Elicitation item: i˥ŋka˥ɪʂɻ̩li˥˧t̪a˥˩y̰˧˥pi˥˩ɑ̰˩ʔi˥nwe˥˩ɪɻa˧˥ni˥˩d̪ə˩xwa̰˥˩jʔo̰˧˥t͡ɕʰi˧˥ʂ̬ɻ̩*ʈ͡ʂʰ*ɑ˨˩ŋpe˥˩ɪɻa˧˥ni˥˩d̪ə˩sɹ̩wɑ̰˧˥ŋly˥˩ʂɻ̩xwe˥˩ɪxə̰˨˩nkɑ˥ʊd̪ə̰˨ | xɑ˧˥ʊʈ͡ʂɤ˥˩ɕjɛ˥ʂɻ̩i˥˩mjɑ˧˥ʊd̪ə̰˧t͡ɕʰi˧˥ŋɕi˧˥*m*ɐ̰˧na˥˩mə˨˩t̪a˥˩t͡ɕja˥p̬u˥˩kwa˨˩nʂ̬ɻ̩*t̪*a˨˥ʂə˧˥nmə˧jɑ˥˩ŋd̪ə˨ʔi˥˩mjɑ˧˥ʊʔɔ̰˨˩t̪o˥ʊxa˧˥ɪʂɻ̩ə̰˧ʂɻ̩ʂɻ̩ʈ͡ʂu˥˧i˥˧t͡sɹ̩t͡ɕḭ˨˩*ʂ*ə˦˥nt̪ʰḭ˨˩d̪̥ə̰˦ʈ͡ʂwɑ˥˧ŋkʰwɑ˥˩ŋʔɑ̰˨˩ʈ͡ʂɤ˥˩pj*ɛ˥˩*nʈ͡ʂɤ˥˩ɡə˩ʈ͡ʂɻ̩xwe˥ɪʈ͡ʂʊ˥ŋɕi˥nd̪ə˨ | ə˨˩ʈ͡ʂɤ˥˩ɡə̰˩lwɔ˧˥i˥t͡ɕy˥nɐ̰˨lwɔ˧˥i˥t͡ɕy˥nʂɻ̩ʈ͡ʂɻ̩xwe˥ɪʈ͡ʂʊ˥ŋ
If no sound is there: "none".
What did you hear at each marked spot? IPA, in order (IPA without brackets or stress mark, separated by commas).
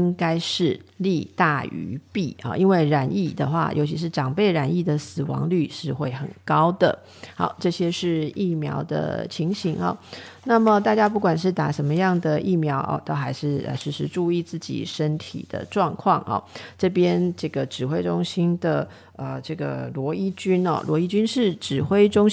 ʈ͡ʂ, ŋ, t̪, ʂ, ɛ˥